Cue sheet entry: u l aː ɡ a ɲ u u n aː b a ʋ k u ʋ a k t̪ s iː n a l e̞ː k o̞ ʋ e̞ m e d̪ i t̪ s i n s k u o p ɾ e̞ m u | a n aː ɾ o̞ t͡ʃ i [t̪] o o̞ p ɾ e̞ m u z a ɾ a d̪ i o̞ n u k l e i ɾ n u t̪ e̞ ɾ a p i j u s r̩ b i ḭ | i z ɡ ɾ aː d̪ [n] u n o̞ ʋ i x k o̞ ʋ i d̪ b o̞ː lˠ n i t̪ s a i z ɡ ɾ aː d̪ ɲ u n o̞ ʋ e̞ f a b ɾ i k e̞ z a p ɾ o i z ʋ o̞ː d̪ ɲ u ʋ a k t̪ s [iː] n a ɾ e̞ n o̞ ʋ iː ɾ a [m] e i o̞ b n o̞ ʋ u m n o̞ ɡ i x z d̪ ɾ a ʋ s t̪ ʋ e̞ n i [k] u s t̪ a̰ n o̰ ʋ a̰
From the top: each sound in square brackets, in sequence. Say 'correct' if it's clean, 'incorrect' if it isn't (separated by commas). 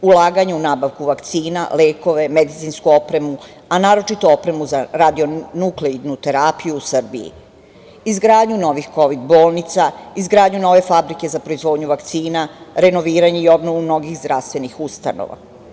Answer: correct, incorrect, correct, incorrect, incorrect